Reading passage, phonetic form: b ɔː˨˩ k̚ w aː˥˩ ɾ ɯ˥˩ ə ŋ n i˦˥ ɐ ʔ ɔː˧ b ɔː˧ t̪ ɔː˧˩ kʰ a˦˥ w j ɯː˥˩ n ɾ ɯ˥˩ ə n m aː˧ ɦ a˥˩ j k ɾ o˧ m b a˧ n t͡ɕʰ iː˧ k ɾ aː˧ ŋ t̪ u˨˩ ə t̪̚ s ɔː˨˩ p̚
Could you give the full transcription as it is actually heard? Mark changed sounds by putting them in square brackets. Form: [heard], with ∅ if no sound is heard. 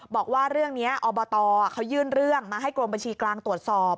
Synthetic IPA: b ɔː˨˩ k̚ w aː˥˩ ɾ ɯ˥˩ ə ŋ n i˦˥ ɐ ʔ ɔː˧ b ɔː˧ t̪ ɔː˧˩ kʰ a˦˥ w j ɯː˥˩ n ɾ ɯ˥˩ ə [ŋ] m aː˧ ɦ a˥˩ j k ɾ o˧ m b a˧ n t͡ɕʰ iː˧ k [l] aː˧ ŋ t̪ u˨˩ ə t̪̚ s ɔː˨˩ p̚